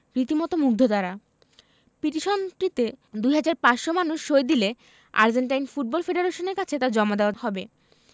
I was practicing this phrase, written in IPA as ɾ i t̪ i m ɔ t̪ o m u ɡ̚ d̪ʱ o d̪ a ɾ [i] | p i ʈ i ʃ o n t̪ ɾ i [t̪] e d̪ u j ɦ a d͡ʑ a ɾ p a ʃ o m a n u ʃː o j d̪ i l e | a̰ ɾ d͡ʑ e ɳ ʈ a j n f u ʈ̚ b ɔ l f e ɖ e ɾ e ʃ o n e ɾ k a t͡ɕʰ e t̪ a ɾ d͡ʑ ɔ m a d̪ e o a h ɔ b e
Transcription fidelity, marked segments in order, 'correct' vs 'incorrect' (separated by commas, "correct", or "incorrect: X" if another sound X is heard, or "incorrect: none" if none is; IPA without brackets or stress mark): incorrect: a, correct